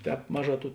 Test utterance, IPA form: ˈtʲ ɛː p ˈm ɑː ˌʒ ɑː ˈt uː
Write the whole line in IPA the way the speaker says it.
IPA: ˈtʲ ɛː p ˈm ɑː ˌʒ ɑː ˈt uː

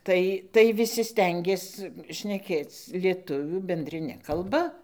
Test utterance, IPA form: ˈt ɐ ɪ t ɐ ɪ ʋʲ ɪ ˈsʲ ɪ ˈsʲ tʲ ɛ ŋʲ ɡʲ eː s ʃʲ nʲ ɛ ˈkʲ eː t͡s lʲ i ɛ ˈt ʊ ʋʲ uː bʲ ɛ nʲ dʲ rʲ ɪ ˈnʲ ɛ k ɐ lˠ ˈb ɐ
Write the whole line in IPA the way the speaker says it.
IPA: ˈt ɐ ɪ t ɐ ɪ ʋʲ ɪ ˈsʲ ɪ ˈsʲ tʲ ɛ ŋʲ ɡʲ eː s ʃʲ nʲ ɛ ˈkʲ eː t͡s lʲ i ɛ ˈt ʊ ʋʲ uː bʲ ɛ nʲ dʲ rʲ ɪ ˈnʲ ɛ k ɐ lˠ ˈb ɐ

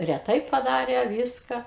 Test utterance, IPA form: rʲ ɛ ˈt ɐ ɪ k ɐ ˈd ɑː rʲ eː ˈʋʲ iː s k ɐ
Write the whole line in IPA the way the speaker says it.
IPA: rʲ ɛ ˈt ɐ ɪ p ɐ ˈd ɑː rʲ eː ˈʋʲ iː s k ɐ

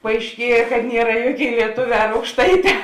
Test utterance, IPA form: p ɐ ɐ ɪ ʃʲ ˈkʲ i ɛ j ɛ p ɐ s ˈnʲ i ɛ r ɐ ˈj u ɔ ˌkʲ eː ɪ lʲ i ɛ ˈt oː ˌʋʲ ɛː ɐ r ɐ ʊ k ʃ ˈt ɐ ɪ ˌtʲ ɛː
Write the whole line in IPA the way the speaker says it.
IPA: p ɐ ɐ ɪ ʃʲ ˈkʲ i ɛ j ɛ k ɐ t ˈnʲ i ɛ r ɐ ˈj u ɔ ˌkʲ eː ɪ lʲ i ɛ ˈt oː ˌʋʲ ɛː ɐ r ɐ ʊ k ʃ ˈt ɐ ɪ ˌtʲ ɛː

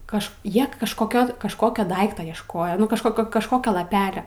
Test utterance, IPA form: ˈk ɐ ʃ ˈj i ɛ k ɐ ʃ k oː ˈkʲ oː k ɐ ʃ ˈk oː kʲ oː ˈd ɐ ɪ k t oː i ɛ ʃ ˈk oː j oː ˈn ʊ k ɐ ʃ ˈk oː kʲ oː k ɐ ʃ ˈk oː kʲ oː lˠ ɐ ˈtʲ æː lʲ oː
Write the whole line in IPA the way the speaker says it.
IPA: ˈk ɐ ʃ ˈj i ɛ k ɐ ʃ k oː ˈkʲ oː k ɐ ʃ ˈk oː kʲ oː ˈd ɐ ɪ k t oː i ɛ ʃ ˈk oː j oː ˈn ʊ k ɐ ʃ ˈk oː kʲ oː k ɐ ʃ ˈk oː kʲ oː lˠ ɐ ˈpʲ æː lʲ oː

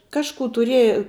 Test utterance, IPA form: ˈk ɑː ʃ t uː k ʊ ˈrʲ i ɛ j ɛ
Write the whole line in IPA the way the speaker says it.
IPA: ˈk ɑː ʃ k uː t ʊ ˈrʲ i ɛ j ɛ

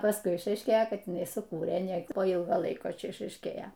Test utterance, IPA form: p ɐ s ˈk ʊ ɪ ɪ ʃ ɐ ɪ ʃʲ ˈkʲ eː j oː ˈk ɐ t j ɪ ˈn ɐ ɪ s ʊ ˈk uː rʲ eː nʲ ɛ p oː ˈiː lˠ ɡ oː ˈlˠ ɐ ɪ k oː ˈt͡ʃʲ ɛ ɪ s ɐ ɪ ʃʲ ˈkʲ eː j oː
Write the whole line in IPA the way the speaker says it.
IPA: p ɐ s ˈk ʊ ɪ ɪ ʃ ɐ ɪ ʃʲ ˈkʲ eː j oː ˈk ɐ t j ɪ ˈn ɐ ɪ s ʊ ˈk uː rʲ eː nʲ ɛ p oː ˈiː lˠ ɡ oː ˈlˠ ɐ ɪ k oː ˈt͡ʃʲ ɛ ɪ ʃ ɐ ɪ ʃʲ ˈkʲ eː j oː

